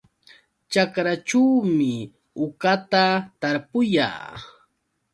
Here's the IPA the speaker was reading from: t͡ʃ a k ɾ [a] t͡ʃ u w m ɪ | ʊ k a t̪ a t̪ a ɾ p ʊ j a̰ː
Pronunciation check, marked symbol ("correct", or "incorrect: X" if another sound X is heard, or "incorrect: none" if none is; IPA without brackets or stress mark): correct